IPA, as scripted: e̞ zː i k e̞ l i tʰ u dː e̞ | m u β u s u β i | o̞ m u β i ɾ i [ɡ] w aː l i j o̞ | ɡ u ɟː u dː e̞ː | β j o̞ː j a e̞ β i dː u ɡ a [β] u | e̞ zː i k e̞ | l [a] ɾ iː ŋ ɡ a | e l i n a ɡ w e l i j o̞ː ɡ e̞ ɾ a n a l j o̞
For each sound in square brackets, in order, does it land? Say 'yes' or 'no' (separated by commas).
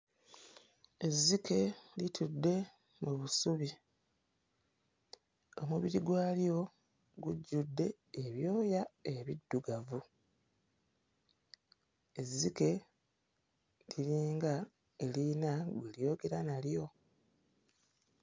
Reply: yes, no, no